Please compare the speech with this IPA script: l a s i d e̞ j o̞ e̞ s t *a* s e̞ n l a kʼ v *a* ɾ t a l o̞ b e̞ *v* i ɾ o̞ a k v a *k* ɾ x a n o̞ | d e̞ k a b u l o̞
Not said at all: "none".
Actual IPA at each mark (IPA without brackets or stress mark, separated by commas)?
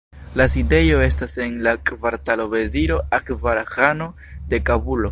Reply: a, a, z, none